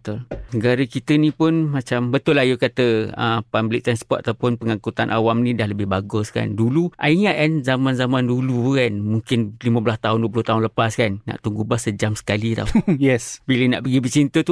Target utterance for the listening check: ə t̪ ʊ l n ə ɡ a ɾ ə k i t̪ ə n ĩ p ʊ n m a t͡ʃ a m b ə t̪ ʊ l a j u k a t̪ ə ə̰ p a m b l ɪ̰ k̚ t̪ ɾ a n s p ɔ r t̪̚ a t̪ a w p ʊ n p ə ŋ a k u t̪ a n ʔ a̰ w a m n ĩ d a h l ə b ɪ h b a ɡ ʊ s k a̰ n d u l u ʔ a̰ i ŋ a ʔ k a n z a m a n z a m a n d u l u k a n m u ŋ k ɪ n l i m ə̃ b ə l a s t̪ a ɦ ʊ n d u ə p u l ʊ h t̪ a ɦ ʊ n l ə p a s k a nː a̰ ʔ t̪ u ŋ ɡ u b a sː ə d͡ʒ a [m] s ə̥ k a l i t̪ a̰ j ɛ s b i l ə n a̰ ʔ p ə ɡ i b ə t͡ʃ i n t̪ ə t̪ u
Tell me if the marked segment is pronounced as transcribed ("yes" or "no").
yes